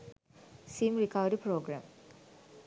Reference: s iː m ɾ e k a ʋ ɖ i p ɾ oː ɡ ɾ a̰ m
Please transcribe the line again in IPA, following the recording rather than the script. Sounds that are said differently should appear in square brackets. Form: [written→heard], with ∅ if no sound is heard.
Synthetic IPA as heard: s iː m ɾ [e→i] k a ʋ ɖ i p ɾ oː ɡ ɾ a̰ m